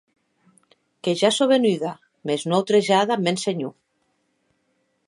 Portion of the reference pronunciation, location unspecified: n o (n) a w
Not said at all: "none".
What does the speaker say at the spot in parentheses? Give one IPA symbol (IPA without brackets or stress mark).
none